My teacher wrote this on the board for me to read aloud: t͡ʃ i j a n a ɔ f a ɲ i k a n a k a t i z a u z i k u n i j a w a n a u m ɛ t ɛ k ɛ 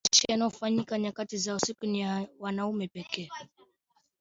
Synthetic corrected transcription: t͡ʃ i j a n a ɔ f a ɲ i k a ɲ a k a t i z a u s i k u n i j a w a n a u m ɛ p ɛ k ɛ